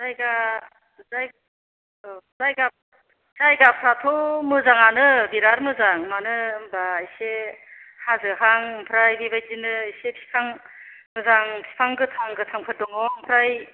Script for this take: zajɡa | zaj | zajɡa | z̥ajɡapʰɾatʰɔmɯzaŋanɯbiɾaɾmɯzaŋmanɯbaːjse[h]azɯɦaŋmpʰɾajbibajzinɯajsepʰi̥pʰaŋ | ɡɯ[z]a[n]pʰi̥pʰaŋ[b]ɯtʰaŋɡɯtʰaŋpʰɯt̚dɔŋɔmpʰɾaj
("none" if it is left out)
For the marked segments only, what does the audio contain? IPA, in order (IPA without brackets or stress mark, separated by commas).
h, z, ŋ, ɡ